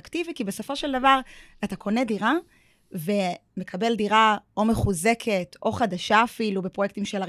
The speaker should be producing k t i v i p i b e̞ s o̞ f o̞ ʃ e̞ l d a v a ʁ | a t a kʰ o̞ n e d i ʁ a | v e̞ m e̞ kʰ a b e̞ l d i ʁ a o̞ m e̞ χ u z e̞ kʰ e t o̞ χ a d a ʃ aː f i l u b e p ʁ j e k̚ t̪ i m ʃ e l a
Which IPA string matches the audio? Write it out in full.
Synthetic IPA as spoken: k t i v i k i b e̞ s o̞ f o̞ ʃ e̞ l d a v a ʁ | a t a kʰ o̞ n e d i ʁ a | v e̞ m e̞ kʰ a b e̞ l d i ʁ a o̞ m e̞ χ u z e̞ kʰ e t o̞ χ a d a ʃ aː f i l u b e p ʁ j e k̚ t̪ i m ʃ e l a